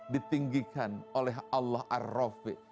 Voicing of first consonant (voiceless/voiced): voiced